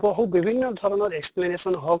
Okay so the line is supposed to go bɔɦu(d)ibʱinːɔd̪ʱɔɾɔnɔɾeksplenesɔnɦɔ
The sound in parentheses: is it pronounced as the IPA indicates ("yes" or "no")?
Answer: no